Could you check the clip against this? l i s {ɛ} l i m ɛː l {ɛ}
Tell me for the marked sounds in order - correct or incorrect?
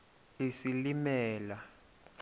incorrect, incorrect

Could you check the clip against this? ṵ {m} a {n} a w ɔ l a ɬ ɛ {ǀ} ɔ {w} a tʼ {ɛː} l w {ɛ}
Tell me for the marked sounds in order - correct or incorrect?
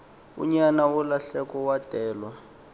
incorrect, correct, incorrect, correct, correct, incorrect

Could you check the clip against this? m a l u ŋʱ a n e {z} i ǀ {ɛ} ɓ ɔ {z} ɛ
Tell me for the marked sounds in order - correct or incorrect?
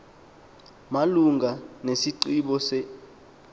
incorrect, incorrect, incorrect

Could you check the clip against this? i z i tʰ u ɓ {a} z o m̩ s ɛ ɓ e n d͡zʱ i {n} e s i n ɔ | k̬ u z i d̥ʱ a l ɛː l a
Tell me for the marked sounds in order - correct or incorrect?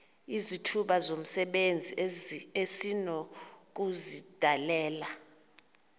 correct, incorrect

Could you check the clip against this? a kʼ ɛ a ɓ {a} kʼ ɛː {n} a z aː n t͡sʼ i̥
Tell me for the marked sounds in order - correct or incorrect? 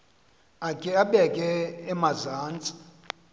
incorrect, incorrect

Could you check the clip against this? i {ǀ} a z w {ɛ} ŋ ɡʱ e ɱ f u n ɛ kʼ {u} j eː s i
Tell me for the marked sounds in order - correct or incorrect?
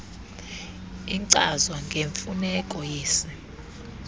correct, incorrect, incorrect

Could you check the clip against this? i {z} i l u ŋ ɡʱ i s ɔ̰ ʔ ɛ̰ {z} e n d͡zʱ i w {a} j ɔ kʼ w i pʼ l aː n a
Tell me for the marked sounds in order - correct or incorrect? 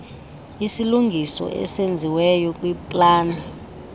incorrect, incorrect, incorrect

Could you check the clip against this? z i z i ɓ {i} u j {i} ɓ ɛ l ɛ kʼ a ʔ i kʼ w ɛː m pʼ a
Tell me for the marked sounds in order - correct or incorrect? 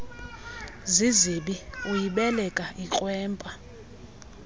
correct, correct

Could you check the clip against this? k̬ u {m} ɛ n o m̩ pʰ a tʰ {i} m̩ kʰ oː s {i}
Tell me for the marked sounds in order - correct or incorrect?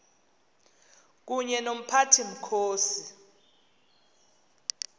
incorrect, correct, correct

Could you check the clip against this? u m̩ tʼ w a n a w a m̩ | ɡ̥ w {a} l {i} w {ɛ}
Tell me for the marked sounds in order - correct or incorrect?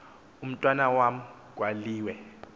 correct, incorrect, correct

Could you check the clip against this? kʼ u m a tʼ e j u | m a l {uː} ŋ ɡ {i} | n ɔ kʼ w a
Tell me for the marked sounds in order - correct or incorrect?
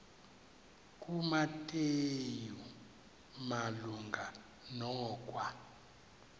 incorrect, incorrect

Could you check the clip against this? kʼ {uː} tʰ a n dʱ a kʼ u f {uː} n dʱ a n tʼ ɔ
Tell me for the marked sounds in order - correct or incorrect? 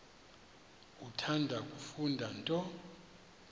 incorrect, incorrect

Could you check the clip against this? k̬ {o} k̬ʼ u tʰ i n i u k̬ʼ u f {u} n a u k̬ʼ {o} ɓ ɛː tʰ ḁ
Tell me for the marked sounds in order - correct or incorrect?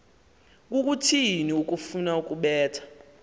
incorrect, correct, incorrect

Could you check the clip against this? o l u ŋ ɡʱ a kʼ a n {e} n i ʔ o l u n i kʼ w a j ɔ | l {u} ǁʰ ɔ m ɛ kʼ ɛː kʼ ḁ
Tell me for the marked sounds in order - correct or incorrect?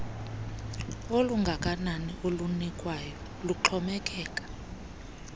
incorrect, correct

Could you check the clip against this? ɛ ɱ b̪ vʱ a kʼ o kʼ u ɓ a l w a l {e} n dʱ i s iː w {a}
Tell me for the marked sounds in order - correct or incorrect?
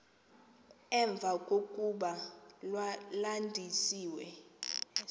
incorrect, incorrect

